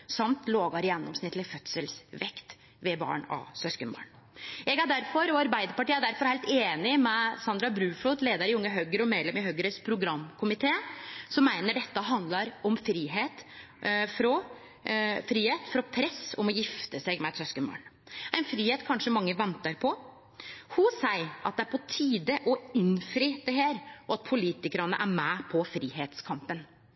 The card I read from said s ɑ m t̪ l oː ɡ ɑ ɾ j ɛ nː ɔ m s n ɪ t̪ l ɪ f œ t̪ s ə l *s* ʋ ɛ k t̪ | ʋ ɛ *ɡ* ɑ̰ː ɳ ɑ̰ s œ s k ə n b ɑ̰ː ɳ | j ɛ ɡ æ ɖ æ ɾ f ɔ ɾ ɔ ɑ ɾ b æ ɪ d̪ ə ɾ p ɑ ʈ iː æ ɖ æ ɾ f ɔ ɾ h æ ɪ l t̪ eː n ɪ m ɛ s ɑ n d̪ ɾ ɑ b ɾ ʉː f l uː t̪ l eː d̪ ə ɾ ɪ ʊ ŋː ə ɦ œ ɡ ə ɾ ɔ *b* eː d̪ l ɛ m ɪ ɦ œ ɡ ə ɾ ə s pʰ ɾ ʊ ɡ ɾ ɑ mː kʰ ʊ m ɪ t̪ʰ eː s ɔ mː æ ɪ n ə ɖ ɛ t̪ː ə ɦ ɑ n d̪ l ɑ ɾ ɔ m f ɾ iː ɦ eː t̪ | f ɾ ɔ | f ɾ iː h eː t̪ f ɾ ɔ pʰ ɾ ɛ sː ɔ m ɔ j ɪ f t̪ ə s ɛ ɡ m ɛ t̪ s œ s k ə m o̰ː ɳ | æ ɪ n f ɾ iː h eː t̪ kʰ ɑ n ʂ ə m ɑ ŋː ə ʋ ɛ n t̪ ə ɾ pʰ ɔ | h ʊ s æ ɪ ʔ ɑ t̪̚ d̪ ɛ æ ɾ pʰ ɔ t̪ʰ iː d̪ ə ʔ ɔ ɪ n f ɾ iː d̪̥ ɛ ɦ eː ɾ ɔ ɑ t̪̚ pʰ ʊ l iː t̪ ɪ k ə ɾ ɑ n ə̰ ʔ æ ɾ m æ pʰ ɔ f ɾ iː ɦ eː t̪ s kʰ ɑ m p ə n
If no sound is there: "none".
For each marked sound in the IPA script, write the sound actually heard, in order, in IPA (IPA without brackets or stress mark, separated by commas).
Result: s, b, m